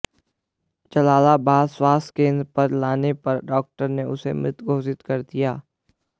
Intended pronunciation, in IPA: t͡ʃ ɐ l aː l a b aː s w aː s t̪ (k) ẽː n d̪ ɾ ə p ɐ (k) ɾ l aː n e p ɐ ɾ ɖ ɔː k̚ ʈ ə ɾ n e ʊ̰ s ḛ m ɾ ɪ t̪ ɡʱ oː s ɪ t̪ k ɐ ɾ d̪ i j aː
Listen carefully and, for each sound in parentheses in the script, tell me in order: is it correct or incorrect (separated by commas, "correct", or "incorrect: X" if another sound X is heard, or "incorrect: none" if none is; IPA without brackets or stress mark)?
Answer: correct, incorrect: none